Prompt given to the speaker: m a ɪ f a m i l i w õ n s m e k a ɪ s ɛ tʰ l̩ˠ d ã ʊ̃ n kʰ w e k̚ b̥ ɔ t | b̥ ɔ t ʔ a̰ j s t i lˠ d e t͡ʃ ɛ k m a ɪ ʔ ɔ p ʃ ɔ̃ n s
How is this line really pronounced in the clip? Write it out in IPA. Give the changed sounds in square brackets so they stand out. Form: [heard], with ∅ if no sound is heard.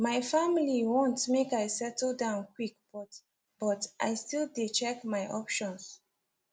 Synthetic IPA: m a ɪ f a m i l i w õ n [t] m e k a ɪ s ɛ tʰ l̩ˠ d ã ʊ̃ n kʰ w [i] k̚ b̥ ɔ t | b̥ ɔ t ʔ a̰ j s t i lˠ d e t͡ʃ ɛ k m a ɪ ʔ ɔ p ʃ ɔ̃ n s